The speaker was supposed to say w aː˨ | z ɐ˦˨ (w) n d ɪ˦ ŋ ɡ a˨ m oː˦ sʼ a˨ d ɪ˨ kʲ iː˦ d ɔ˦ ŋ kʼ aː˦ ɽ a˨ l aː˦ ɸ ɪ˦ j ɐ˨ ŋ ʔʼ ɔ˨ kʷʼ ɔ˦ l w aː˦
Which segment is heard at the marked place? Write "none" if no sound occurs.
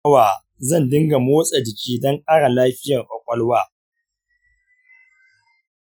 none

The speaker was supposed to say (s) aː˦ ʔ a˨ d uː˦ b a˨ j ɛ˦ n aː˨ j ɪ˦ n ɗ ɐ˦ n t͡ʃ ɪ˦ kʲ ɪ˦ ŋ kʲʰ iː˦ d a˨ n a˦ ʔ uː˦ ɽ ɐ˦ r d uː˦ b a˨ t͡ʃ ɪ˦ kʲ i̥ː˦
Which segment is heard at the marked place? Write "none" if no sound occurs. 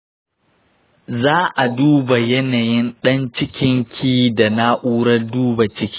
z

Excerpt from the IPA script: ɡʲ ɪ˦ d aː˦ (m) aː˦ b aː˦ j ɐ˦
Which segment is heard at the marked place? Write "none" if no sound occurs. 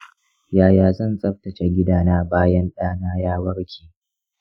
n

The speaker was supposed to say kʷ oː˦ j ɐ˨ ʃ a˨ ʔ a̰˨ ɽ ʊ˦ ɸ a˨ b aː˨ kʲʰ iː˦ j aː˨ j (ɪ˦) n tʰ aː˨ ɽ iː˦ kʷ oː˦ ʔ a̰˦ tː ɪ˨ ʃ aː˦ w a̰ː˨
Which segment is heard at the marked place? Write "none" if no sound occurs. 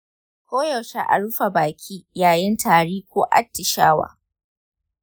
ɪ˦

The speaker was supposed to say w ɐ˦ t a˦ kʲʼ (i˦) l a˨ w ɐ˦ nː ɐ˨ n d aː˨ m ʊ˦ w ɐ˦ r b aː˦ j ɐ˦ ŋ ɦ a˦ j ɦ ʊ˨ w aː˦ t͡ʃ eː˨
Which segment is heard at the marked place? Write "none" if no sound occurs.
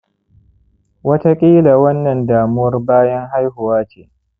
iː˦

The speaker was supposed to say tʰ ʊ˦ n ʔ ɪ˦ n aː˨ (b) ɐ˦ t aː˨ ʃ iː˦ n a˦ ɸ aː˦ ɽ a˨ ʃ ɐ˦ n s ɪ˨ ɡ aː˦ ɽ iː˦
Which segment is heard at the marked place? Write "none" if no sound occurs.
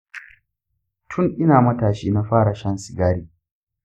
m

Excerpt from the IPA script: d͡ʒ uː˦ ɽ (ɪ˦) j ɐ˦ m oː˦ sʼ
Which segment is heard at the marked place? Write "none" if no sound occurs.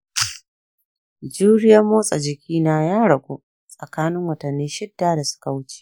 ɪ˦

